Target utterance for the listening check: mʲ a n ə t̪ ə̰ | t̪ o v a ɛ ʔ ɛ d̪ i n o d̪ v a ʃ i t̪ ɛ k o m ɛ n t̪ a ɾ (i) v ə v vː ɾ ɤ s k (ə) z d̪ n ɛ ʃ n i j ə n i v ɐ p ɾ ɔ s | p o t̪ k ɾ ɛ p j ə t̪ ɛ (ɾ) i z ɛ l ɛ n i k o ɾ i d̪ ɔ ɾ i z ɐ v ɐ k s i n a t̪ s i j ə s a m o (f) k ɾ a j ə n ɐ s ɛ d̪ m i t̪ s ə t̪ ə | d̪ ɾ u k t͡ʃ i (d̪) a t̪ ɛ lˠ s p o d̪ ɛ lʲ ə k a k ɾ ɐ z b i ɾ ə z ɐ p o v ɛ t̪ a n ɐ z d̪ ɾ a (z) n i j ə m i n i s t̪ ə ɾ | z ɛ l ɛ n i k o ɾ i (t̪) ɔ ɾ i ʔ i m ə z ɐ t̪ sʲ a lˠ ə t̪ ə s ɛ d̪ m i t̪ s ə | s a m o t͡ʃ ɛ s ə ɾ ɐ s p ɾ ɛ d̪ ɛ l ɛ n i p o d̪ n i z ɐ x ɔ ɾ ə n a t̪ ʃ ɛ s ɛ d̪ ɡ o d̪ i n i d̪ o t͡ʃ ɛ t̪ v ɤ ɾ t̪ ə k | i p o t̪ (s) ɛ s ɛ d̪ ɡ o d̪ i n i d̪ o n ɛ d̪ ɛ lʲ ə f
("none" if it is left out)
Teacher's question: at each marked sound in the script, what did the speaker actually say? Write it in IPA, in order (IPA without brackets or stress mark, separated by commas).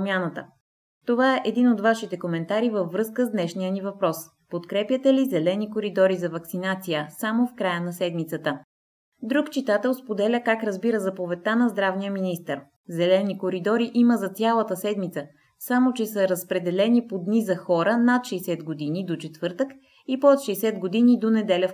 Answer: i, ə, l, f, t̪, v, d̪, ʃ